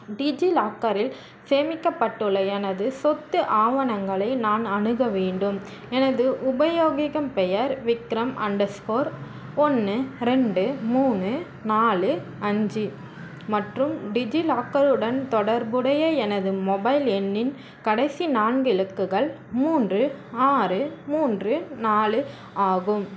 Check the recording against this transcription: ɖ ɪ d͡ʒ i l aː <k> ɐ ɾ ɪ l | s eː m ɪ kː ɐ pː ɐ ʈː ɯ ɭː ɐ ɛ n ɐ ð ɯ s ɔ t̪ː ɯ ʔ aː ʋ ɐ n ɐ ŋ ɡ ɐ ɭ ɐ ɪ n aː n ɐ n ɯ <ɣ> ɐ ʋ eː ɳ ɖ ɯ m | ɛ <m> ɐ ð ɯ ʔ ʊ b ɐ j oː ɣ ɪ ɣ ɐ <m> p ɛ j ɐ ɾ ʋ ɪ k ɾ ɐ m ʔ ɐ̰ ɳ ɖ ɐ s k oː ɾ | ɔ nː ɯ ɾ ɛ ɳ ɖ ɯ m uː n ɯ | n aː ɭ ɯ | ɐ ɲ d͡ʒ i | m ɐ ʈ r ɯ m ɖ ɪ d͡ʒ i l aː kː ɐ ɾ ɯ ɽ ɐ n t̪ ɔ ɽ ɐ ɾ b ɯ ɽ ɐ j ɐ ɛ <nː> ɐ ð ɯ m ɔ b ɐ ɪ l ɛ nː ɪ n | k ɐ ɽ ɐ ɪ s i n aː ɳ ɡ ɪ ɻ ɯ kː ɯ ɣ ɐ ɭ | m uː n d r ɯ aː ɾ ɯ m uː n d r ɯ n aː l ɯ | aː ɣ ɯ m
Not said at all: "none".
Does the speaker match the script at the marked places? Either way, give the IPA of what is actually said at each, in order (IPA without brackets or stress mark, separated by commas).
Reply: k, ɣ, n, m, n